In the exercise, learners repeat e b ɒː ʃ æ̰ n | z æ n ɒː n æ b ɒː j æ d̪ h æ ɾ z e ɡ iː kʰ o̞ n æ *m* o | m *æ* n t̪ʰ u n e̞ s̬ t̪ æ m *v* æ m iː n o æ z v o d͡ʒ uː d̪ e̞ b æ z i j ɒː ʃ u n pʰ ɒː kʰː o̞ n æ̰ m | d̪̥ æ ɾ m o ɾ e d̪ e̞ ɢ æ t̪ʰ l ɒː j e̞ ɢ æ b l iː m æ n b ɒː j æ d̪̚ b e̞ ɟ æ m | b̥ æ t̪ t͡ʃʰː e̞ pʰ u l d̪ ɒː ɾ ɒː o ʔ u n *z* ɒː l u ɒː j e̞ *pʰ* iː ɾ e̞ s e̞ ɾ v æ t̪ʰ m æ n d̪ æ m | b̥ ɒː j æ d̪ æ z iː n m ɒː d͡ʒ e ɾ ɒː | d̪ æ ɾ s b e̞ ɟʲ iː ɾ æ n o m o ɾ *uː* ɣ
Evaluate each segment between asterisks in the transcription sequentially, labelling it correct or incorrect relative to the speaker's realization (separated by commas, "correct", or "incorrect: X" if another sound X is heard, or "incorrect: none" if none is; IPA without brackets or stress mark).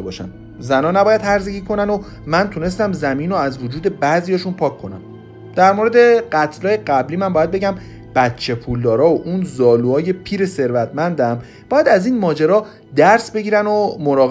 incorrect: n, correct, incorrect: z, correct, correct, incorrect: ɒː